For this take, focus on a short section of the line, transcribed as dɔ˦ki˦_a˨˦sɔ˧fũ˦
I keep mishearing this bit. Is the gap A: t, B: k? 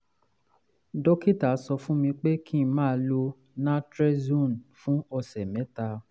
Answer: A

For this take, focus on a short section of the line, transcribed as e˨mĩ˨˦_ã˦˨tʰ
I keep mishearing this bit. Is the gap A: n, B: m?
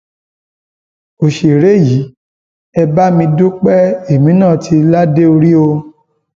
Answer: A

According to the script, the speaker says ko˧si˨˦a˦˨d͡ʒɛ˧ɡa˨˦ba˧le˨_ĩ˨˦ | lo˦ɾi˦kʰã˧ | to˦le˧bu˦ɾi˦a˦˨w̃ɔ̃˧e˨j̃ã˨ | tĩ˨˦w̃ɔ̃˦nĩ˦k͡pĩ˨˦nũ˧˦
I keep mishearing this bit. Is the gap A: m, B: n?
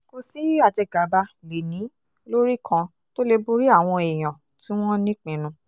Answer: B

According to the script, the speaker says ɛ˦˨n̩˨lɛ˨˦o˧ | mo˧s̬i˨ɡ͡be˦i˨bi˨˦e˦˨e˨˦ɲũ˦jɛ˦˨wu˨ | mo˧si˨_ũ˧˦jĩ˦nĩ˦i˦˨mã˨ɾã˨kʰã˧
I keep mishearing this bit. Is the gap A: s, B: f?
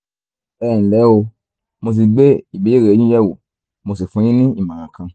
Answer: B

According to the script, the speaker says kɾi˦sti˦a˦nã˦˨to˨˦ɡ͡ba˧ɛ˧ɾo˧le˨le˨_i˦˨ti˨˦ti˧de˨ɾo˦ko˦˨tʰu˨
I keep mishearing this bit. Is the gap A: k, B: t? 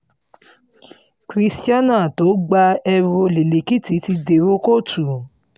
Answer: A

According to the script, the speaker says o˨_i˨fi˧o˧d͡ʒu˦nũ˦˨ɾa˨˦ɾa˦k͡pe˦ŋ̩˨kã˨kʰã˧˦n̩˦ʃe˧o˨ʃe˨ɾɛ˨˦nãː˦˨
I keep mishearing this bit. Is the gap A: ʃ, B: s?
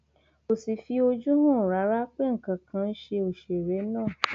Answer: B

